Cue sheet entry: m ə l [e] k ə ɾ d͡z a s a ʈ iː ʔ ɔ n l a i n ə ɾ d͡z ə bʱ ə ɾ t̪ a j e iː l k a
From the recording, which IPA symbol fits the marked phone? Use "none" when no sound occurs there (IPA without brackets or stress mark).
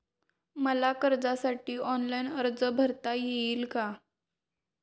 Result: a